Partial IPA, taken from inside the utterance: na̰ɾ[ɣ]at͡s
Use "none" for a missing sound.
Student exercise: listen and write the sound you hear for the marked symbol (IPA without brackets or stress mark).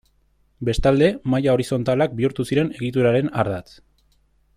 ð